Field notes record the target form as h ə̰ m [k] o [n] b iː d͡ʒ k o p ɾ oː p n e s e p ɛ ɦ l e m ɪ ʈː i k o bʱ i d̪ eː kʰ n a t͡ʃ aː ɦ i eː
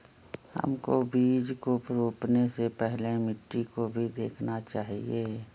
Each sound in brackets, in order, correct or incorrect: correct, incorrect: none

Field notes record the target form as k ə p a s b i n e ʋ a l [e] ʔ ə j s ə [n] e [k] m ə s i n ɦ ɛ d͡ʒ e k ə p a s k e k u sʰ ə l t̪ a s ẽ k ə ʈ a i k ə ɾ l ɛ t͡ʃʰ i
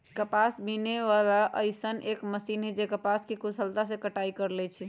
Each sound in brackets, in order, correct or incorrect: incorrect: a, correct, correct

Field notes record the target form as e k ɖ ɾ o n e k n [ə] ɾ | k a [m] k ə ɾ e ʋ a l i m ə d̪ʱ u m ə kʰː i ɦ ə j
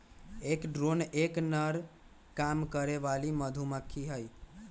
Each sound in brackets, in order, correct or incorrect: correct, correct

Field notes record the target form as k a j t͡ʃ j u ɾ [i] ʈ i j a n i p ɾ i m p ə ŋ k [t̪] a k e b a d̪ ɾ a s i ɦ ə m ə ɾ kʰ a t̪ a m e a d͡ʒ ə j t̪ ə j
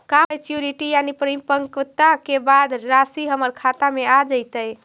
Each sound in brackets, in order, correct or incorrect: correct, correct

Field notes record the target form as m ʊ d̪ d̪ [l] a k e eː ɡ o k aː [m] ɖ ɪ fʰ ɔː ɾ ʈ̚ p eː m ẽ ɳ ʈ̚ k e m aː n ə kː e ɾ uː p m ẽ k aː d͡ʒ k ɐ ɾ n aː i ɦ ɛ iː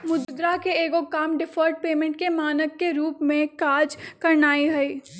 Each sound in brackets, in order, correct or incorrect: incorrect: ɾ, correct

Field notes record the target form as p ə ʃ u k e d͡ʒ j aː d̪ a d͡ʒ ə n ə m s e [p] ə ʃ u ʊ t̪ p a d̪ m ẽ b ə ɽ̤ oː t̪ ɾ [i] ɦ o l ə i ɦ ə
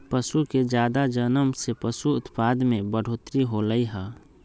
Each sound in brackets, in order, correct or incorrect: correct, correct

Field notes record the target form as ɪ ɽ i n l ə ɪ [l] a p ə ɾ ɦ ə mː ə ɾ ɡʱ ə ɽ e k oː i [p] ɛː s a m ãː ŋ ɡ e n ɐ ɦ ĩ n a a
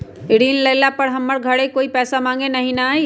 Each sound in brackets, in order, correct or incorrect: correct, correct

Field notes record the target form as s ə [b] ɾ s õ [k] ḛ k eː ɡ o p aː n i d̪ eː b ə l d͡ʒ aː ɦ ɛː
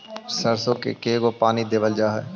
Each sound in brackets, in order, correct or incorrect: incorrect: none, correct

